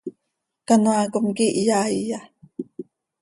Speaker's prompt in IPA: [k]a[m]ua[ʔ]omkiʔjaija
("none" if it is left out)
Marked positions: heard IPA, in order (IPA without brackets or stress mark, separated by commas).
k, n, k